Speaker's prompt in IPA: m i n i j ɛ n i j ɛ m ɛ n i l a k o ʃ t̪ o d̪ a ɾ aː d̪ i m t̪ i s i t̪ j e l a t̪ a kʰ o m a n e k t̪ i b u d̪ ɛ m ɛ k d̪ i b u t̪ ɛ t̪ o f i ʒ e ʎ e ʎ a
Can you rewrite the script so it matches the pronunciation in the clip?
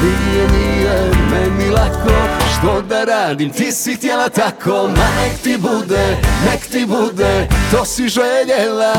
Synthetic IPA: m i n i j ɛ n i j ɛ m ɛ n i l a k o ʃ t̪ o d̪ a ɾ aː d̪ i m t̪ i s i t̪ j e l a t̪ a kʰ o m a n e k t̪ i b u d̪ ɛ n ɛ k t̪ i b u d̪ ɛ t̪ o s i ʒ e ʎ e l a